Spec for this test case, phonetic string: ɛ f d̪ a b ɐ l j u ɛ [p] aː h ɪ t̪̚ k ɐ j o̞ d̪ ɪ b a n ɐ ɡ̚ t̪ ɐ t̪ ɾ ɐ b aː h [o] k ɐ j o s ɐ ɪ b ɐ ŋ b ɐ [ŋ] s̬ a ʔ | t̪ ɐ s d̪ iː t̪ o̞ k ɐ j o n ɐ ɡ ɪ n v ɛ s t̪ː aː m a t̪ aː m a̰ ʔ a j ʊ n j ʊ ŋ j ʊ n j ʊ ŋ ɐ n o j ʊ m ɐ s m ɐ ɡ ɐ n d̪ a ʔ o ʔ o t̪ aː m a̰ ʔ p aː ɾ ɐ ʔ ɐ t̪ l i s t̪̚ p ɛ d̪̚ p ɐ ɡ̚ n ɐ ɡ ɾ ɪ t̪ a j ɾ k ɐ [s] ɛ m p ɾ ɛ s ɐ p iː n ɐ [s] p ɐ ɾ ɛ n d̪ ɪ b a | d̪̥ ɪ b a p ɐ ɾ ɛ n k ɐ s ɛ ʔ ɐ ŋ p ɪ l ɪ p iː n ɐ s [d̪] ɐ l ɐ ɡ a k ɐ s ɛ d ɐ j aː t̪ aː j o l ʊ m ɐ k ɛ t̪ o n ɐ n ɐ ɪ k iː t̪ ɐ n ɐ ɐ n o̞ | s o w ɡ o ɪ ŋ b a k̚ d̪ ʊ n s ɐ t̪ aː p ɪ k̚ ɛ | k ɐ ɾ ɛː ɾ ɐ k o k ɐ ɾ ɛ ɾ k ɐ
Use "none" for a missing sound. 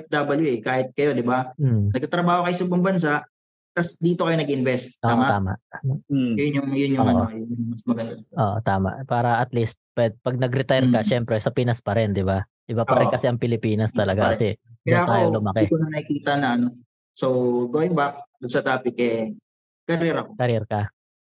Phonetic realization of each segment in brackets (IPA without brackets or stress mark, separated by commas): k, o, n, ʃ, s, t̪